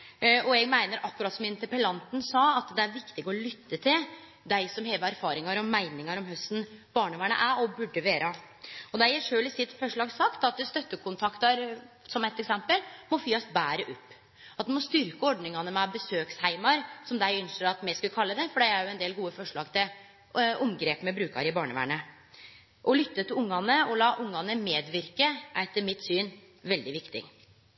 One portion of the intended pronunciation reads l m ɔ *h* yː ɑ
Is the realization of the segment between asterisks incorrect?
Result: yes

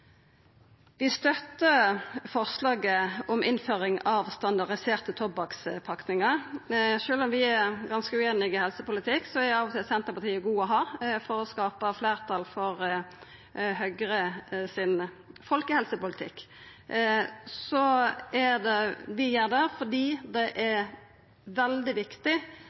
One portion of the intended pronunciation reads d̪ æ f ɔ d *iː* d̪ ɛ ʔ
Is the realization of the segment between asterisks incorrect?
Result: no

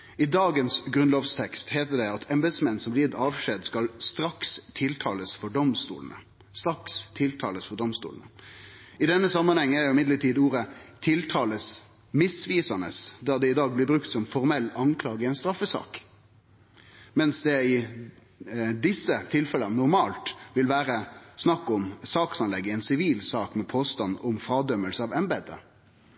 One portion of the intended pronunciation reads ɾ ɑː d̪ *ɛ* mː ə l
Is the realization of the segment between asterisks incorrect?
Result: yes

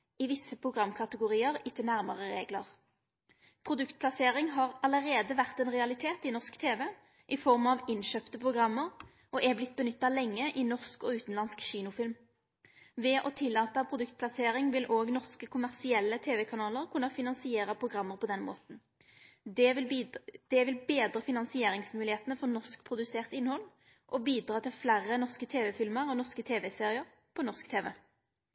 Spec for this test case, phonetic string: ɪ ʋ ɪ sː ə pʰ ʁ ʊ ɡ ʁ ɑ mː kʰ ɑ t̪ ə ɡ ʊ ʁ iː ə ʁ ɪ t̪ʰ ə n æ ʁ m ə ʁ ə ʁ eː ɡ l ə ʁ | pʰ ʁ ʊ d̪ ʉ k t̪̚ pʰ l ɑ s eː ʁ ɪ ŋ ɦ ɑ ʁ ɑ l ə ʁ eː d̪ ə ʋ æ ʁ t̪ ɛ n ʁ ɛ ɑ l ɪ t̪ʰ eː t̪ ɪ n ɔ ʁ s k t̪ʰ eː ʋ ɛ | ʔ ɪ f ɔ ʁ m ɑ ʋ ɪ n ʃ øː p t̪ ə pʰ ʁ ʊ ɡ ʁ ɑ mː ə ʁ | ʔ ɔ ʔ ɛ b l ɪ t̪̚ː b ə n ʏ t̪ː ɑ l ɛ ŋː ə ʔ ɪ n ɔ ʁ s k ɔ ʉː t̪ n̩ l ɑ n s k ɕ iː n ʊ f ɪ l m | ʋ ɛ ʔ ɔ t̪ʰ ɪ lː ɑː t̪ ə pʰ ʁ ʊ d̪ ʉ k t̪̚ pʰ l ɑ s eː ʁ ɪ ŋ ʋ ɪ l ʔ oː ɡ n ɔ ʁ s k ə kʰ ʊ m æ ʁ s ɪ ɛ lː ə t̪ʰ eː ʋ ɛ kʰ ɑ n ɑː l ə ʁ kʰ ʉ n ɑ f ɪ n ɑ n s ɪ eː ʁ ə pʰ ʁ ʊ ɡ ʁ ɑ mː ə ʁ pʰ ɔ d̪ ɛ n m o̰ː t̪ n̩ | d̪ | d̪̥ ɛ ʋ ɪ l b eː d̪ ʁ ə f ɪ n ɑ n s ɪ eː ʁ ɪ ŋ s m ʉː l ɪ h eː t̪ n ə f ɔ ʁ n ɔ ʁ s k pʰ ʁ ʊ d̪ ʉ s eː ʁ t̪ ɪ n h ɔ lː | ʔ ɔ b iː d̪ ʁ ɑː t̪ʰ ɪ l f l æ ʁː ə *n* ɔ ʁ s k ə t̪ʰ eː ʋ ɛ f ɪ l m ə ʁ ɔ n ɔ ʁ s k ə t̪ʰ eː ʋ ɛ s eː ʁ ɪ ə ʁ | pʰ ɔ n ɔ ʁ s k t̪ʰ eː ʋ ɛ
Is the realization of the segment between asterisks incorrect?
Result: no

